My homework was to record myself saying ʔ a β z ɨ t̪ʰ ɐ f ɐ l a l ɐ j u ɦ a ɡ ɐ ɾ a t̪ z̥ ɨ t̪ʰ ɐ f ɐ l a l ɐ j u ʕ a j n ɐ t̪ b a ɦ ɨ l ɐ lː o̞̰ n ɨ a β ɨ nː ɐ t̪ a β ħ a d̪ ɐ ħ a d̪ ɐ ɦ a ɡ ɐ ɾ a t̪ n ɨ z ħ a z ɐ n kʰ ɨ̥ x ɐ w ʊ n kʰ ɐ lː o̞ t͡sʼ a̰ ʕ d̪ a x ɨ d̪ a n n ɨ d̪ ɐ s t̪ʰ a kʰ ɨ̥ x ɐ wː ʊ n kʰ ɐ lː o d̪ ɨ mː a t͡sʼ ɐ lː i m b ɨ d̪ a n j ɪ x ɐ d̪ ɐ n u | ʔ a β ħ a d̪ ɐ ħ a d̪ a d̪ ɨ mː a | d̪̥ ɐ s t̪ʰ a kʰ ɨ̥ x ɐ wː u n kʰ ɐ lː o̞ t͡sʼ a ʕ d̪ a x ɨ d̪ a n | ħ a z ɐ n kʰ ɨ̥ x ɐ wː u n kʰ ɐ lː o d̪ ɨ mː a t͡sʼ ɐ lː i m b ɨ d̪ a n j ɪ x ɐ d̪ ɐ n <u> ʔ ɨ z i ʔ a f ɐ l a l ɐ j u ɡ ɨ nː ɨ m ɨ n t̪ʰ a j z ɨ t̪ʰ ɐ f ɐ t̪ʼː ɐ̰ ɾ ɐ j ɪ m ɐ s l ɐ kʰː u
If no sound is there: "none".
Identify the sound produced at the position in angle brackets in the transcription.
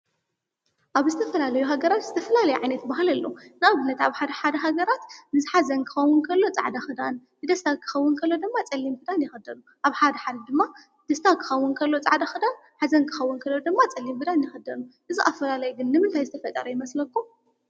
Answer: u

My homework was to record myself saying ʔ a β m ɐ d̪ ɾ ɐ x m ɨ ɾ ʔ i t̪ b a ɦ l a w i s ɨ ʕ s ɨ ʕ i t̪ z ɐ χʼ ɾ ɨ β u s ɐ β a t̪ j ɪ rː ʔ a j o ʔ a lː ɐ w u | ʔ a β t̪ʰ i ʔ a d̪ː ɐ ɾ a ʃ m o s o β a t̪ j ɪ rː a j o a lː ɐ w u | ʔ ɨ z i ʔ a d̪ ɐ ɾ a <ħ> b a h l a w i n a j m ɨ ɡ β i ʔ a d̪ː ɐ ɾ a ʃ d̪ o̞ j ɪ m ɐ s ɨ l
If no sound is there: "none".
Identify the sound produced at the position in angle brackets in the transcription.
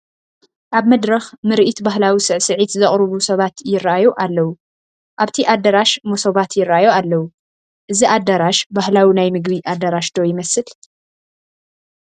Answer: ʃ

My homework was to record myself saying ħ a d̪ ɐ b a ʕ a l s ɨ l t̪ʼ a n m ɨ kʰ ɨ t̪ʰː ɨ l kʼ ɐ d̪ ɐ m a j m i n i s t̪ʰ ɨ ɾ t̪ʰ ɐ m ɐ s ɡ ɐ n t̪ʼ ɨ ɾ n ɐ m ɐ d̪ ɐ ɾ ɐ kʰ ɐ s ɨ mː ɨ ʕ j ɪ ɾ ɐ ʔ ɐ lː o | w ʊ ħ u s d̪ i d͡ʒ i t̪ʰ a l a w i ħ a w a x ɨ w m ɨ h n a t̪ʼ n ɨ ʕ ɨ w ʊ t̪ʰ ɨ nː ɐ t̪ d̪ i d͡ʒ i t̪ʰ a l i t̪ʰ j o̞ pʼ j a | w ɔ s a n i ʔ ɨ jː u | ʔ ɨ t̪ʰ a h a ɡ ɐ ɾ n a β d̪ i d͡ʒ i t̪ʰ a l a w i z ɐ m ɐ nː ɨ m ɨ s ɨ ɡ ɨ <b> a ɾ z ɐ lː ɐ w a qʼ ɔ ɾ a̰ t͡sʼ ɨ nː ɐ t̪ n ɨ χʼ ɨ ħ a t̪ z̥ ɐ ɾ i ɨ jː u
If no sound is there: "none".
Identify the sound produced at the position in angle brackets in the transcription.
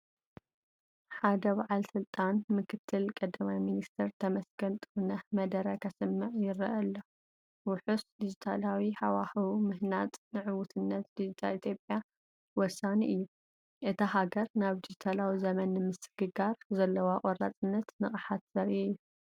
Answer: ɡ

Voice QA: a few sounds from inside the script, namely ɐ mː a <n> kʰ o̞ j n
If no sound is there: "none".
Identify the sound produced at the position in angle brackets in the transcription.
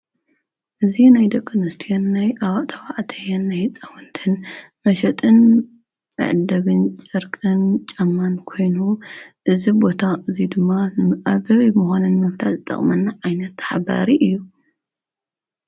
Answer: n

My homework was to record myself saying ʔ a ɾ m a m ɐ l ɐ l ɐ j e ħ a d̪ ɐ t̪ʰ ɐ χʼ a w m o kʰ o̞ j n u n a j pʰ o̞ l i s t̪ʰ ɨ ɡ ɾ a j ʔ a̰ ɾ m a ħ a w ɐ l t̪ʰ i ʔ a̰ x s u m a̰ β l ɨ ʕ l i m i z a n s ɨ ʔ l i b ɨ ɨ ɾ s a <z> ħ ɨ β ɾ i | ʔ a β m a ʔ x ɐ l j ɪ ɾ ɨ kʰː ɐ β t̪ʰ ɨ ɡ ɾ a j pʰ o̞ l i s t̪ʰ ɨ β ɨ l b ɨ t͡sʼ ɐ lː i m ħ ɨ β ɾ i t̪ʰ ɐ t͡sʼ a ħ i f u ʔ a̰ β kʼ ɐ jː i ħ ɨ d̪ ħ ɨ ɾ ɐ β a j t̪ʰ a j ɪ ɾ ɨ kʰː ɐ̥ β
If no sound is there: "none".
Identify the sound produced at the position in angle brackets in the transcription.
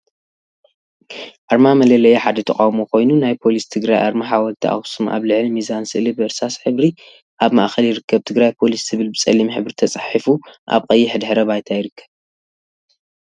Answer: s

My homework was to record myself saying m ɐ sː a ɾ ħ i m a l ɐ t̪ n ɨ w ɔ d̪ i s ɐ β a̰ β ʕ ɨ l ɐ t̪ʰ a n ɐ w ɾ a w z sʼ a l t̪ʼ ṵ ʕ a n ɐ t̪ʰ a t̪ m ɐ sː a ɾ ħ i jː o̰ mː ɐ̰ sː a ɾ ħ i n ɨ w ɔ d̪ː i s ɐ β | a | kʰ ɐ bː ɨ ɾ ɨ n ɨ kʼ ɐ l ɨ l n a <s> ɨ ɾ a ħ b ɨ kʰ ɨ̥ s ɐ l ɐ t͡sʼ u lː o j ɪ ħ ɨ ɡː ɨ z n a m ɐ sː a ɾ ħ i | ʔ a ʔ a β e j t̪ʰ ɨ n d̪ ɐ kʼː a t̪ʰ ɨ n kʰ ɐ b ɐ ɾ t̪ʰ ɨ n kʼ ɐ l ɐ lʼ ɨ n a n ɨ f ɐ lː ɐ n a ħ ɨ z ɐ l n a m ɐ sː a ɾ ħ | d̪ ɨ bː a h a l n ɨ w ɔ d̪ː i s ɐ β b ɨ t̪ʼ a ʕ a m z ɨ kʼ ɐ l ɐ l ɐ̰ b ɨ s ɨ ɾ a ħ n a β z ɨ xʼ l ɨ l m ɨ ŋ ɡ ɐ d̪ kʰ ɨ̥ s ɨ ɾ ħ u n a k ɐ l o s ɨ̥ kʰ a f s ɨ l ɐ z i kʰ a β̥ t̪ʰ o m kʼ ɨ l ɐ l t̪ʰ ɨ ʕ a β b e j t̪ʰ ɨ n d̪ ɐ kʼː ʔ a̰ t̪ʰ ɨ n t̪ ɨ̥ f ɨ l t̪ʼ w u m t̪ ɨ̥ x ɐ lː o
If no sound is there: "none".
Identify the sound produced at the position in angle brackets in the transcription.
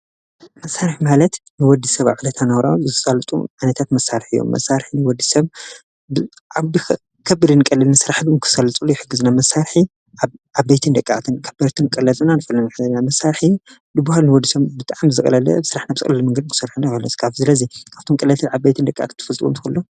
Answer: s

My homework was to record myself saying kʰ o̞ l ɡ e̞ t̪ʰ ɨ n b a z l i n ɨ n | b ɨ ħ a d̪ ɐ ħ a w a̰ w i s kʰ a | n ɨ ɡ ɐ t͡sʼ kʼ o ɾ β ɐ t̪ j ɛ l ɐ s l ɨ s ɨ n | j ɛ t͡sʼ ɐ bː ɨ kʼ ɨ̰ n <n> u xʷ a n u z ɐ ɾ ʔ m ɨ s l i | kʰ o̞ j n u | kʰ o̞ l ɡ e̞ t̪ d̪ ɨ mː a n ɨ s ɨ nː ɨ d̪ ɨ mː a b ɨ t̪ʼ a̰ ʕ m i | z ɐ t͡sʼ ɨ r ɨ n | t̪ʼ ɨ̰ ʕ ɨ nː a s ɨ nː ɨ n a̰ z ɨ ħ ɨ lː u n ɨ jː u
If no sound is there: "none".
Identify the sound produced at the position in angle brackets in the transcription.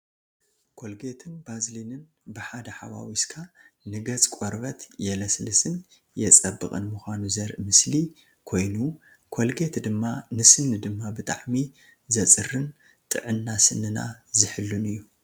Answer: m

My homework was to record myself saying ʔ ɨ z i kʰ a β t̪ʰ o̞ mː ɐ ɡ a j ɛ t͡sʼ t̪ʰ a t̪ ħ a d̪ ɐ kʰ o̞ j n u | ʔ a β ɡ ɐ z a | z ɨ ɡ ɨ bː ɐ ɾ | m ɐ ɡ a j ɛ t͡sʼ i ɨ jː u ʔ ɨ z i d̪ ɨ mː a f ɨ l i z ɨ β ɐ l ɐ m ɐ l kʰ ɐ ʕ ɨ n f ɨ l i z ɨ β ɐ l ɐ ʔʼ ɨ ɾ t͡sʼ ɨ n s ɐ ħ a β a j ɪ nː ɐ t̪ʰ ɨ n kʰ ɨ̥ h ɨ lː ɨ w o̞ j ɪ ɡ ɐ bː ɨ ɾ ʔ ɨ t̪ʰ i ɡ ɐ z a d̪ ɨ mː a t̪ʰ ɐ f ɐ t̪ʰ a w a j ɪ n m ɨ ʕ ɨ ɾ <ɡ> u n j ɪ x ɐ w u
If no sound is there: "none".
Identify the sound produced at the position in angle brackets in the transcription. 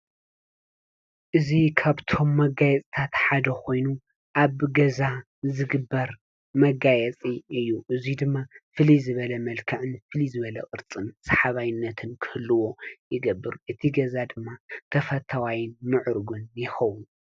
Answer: ɡ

